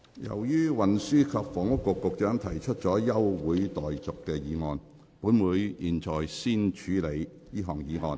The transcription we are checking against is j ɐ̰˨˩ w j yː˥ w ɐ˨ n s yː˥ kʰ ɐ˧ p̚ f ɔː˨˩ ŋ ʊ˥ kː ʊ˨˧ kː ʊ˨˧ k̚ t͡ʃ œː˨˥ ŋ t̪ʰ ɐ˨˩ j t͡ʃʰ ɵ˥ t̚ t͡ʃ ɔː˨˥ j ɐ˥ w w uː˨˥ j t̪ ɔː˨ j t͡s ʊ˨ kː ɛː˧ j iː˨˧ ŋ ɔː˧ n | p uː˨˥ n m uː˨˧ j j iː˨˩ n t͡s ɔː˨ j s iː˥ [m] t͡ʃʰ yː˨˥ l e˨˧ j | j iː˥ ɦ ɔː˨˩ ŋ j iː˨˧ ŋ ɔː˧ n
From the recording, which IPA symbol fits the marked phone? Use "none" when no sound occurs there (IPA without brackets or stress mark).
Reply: n